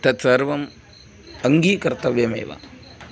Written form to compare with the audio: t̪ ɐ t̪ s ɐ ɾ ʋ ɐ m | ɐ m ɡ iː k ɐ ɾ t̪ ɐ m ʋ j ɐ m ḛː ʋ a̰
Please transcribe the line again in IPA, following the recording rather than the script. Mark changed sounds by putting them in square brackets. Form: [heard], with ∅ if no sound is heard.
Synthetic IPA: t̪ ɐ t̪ s ɐ ɾ ʋ ɐ m | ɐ [ŋ] ɡ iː k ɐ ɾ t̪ ɐ [∅] ʋ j ɐ m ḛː ʋ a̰